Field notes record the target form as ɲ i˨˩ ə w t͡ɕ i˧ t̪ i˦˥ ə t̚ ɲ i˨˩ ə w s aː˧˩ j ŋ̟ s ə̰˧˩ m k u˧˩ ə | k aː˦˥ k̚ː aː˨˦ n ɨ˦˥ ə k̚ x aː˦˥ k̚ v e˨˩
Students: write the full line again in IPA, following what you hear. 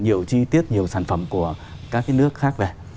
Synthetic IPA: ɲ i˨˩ ə w t͡ɕ i˧ t̪ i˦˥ ə t̚ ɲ i˨˩ ə w s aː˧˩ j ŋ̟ f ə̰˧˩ m k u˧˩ ə | k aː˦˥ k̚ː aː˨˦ n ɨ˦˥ ə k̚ x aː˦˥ k̚ v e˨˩

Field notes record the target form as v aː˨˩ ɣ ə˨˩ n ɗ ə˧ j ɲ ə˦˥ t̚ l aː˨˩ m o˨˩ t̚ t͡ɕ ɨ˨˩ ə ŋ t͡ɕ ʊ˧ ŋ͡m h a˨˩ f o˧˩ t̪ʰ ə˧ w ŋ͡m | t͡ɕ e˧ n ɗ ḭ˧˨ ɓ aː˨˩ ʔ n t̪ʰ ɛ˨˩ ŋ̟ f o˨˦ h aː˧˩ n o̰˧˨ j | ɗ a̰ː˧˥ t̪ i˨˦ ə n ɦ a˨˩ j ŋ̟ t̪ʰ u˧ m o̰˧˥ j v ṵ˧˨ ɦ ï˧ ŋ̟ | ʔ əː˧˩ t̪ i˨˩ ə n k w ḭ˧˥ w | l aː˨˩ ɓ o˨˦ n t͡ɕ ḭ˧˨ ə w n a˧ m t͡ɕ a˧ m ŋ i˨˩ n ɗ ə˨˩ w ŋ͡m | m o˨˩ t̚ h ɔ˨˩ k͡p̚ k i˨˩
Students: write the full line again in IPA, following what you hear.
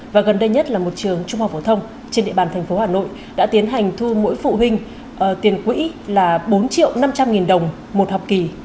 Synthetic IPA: v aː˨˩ ɣ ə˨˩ n ɗ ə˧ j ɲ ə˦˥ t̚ l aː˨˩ m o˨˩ t̚ t͡ɕ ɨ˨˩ ə ŋ t͡ɕ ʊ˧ ŋ͡m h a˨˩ f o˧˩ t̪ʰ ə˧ w ŋ͡m | t͡ɕ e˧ n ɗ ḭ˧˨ ɓ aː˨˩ n t̪ʰ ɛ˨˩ ŋ̟ f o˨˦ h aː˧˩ n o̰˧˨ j | ɗ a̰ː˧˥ t̪ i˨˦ ə n ɦ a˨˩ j ŋ̟ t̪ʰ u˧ m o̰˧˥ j f ṵ˧˨ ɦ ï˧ ŋ̟ | ʔ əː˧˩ t̪ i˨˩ ə n k w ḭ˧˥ | l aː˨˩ ɓ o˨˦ n t͡ɕ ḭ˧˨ ə w n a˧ m t͡ɕ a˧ m ŋ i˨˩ n ɗ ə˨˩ w ŋ͡m | m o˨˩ t̚ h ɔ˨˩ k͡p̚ k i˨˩

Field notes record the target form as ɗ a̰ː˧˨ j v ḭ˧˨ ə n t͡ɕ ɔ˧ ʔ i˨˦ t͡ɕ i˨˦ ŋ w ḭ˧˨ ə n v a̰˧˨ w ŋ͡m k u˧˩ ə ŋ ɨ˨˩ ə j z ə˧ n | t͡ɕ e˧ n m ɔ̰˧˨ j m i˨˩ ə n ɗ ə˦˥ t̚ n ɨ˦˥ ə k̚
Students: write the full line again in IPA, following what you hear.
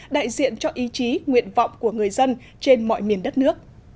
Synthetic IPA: ɗ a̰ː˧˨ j z ḭ˧˨ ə n t͡ɕ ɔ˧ ʔ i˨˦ t͡ɕ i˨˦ ŋ w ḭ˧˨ ə n v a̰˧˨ w ŋ͡m k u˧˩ ə ŋ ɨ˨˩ ə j z ə˧ n | t͡ɕ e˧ n m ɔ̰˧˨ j m i˨˩ ə n ɗ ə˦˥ t̚ n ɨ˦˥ ə k̚

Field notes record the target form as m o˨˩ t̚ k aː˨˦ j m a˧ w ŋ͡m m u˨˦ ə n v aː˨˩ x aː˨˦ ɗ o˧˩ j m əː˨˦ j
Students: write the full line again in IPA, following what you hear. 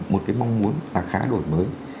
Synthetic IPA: m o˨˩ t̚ k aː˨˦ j m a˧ w ŋ͡m m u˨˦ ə n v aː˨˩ x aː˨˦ ɗ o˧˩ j m əː˨˦ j

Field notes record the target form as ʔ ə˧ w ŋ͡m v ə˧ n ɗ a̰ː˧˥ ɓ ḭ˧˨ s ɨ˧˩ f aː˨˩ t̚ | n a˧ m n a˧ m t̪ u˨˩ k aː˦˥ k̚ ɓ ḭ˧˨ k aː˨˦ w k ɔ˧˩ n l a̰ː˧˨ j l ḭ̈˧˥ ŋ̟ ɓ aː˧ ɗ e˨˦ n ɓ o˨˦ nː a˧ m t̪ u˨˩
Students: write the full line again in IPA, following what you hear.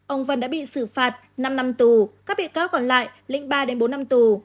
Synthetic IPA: ʔ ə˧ w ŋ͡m v ə˧ n ɗ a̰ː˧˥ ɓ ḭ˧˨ s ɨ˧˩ f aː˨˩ t̚ | n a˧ m n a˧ m t̪ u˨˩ k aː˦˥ k̚ ɓ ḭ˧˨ k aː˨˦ w k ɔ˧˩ n l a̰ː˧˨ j l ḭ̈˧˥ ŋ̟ ɓ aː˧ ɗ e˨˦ n ɓ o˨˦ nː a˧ m t̪ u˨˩

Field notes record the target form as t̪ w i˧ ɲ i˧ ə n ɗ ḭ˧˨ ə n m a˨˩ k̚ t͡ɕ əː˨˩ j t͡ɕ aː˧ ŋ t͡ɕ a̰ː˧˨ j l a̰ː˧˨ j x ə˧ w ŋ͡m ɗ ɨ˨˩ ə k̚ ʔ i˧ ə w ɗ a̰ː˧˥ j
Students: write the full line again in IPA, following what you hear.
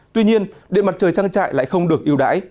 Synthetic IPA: t̪ w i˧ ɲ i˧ ə n ɗ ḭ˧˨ ə n m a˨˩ t̚ t͡ɕ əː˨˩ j t͡ɕ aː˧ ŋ t͡ɕ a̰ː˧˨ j l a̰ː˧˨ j x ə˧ w ŋ͡m ɗ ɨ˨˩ ə k̚ ʔ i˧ ə w ɗ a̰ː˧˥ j

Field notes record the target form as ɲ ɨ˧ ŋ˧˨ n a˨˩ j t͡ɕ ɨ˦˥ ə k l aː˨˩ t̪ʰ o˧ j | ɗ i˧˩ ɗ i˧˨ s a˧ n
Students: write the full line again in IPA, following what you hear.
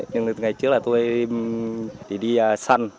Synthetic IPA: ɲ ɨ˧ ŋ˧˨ ŋ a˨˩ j t͡ɕ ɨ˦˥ ə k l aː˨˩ t̪ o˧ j | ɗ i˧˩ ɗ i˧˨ s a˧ n

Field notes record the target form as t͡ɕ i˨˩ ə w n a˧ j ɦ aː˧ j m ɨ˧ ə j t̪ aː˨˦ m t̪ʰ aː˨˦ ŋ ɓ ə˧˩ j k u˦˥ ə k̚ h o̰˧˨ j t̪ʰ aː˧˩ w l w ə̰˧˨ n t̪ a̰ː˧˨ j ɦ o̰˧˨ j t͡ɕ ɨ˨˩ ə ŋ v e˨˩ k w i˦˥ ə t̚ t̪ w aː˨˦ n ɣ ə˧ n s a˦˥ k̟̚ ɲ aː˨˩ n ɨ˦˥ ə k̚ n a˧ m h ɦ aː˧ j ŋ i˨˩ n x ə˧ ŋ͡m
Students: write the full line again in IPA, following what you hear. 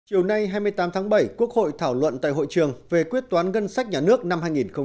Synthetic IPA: t͡ɕ i˨˩ ə w n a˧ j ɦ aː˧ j m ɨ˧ ə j t̪ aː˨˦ m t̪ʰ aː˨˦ ŋ ɓ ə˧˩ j k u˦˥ ə k̚ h o̰˧˨ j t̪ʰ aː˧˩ w l w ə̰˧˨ n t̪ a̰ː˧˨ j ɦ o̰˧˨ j t͡ɕ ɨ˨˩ ə ŋ v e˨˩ k w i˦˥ ə t̚ t̪ w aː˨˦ n ɣ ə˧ n s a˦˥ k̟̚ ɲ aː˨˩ n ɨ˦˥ ə k̚ n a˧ m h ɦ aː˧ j ŋ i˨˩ n x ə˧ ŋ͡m

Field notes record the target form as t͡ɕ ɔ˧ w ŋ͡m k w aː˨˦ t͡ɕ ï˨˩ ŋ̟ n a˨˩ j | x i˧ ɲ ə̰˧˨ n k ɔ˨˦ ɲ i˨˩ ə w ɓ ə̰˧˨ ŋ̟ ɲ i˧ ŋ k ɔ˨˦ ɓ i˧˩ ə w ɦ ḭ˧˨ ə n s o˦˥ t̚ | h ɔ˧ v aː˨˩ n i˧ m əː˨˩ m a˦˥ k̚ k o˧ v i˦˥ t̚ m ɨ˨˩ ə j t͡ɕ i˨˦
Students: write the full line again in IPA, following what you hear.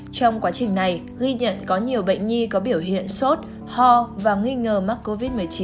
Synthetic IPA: t͡ɕ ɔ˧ w ŋ͡m k w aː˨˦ t͡ɕ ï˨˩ ŋ̟ n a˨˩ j | ɣ i˧ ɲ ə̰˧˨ n k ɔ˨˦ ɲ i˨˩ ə w ɓ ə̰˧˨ ŋ̟ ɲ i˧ k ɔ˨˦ ɓ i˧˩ ə w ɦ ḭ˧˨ ə n s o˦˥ t̚ | h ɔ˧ v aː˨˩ ŋ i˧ ŋ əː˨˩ m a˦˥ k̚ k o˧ v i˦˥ t̚ m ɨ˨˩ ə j t͡ɕ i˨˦

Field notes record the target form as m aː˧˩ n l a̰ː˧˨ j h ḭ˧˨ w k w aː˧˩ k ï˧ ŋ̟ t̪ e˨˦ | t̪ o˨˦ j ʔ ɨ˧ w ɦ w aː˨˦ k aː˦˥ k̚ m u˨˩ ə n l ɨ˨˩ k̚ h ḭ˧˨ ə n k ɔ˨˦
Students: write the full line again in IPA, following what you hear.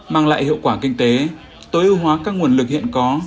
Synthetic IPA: m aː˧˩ ŋ l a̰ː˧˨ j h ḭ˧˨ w k w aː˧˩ k ï˧ ŋ̟ t̪ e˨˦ | t̪ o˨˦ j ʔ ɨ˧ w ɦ w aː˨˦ k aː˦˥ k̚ ŋ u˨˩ ə n l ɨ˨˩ k̚ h ḭ˧˨ ə n k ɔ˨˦

